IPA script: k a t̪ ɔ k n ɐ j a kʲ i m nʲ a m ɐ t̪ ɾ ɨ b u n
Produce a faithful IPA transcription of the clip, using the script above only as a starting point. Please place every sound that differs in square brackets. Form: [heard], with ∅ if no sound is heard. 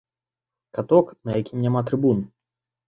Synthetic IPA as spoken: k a t̪ ɔ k n ɐ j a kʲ i m nʲ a m [a] t̪ ɾ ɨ b u n